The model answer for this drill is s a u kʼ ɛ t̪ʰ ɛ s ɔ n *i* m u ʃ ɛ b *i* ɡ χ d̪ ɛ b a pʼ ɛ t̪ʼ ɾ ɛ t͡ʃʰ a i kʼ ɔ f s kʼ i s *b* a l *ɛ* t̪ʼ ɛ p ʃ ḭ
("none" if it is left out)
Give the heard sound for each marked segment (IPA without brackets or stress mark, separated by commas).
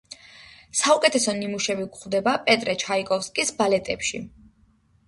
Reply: i, i, b, ɛ